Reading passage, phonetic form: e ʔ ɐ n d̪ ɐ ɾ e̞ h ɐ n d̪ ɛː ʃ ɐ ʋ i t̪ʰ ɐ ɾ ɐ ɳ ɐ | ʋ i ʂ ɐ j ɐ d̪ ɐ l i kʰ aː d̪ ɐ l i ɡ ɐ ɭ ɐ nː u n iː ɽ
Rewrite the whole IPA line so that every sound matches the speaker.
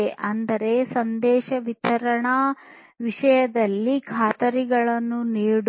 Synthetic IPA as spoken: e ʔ ɐ n d̪ ɐ ɾ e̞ s ɐ n d̪ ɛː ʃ ɐ ʋ i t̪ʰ ɐ ɾ ɐ ɳ ɐ | ʋ i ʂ ɐ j ɐ d̪ ɐ lː i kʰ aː t̪ ɐ ɾ i ɡ ɐ ɭ ɐ nː u n iː ɽ